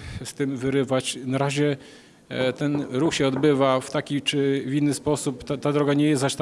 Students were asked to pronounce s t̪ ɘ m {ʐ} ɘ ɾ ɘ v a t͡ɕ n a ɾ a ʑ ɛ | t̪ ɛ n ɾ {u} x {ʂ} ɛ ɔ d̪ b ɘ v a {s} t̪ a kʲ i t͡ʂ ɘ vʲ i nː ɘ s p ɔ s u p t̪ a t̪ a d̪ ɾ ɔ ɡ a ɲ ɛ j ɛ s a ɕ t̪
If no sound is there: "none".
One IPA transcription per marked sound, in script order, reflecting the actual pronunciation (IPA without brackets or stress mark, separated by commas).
v, u, ɕ, f